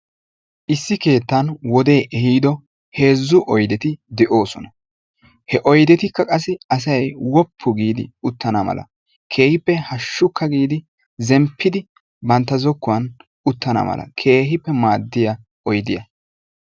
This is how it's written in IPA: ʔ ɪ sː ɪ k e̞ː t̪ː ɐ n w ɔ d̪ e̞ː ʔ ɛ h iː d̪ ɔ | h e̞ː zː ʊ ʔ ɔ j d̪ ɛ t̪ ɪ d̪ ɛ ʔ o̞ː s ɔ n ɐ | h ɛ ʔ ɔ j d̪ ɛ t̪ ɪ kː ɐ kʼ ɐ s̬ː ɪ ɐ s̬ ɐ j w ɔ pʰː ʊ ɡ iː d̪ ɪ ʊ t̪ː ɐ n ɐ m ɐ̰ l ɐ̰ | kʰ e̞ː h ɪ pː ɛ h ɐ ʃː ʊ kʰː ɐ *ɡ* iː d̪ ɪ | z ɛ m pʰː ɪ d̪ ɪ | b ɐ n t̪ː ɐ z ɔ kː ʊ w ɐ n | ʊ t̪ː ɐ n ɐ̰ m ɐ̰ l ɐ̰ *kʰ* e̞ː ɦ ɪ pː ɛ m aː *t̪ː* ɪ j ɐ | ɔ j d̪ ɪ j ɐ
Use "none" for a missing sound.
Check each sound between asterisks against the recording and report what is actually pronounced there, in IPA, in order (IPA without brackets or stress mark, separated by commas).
ɡ, kʰ, d̪ː